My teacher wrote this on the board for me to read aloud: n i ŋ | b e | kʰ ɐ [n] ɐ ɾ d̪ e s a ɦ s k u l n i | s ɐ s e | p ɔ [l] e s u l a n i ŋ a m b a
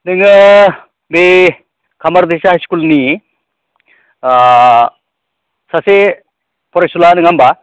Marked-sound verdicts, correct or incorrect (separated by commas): incorrect, incorrect